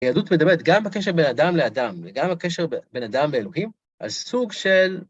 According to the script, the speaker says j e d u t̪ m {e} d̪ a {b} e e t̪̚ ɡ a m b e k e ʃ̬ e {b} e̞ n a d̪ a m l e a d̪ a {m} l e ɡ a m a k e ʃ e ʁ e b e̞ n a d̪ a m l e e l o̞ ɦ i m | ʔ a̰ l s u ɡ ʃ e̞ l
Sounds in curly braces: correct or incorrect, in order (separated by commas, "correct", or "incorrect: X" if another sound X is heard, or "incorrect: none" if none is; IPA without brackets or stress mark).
correct, correct, correct, correct